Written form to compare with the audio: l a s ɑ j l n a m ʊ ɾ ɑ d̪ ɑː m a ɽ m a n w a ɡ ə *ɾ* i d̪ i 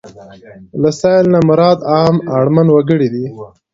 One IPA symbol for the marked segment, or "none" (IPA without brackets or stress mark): ɽ